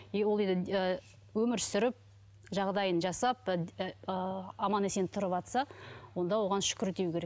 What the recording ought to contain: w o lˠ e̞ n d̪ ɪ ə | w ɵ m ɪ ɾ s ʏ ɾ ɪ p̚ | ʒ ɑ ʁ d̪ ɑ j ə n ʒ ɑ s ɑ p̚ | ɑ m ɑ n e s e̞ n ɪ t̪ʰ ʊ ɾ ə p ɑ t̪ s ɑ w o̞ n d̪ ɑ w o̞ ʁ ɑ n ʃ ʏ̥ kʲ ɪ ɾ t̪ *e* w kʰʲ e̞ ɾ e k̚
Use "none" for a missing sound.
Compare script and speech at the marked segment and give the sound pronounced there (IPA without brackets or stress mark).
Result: e